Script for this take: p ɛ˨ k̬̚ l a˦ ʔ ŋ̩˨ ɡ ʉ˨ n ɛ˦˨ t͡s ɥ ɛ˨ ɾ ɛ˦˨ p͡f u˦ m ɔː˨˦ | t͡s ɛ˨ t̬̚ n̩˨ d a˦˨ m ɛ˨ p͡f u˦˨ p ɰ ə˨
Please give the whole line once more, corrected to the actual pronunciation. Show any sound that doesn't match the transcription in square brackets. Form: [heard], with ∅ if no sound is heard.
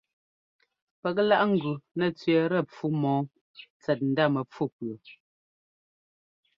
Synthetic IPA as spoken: p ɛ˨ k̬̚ l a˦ ʔ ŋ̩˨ ɡ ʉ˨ n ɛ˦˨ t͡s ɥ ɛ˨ ɾ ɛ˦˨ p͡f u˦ m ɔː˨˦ | t͡s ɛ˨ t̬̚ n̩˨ d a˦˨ m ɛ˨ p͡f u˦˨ p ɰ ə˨